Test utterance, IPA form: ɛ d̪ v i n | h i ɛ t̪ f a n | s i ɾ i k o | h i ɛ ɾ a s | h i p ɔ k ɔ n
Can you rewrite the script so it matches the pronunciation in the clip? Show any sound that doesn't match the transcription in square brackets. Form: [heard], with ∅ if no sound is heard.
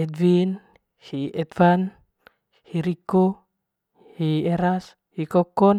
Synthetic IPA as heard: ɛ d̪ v i n | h i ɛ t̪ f a n | [h] i ɾ i k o | h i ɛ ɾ a s | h i [k] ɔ k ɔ n